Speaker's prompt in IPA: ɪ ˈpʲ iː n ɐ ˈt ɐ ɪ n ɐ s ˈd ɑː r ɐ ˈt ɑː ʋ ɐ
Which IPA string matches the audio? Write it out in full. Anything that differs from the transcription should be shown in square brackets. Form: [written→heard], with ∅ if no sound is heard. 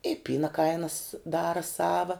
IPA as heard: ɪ ˈpʲ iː n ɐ [ˈt→ˈk] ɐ ɪ n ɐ s ˈd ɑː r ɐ [ˈt→ˈs] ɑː ʋ ɐ